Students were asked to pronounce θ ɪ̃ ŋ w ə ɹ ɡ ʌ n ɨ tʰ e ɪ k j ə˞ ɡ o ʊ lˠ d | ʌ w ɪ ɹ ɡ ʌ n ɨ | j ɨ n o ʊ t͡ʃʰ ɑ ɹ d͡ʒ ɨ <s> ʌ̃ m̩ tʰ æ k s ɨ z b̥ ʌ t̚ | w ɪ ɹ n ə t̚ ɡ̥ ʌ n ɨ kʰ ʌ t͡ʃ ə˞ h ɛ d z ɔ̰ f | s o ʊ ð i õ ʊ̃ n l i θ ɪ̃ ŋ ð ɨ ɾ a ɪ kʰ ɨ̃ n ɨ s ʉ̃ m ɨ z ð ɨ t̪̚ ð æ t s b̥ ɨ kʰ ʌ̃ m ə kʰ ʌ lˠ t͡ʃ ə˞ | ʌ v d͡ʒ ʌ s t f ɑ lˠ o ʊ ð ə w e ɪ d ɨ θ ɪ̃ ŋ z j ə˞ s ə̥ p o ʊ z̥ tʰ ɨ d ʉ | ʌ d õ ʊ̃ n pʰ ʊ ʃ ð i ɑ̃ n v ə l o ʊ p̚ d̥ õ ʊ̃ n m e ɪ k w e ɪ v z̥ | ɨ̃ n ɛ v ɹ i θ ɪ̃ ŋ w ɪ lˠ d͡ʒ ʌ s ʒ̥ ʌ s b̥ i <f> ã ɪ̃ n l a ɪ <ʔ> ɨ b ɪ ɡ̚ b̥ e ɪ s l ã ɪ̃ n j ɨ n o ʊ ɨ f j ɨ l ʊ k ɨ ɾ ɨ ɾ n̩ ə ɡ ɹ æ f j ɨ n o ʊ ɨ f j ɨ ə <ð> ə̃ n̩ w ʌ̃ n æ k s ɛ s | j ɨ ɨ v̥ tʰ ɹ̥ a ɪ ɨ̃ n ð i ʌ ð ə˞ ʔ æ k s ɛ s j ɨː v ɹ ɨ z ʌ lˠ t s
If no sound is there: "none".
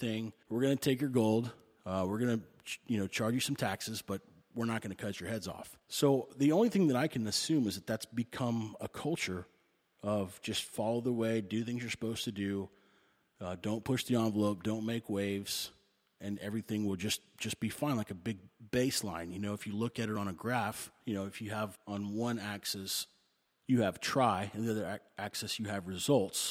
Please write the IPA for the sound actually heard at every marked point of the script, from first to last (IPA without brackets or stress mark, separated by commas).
s, f, k, v